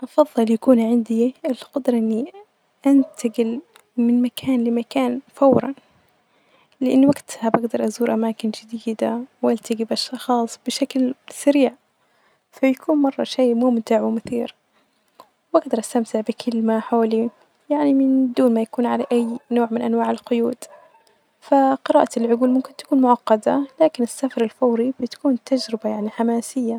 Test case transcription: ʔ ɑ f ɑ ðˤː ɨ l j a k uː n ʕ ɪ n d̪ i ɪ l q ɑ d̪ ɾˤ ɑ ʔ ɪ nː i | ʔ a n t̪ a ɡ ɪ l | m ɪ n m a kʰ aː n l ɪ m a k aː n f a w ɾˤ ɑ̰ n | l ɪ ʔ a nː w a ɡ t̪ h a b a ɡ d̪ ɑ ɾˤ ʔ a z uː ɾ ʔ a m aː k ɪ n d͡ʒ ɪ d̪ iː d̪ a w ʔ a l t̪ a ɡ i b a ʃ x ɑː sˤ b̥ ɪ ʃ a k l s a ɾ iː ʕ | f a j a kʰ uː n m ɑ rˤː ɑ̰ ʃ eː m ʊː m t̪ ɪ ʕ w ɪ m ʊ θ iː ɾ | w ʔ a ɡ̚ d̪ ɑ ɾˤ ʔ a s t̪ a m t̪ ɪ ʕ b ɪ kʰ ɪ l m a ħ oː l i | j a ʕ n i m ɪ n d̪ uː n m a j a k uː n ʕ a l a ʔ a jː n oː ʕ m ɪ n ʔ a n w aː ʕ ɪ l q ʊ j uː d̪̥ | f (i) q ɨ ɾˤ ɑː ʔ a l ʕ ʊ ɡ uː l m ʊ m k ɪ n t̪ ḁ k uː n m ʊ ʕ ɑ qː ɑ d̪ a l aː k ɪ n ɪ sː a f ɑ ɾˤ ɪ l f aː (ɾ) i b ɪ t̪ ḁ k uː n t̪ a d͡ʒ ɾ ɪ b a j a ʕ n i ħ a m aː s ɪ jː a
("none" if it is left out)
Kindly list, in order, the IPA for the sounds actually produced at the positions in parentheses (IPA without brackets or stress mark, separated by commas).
a, ɾ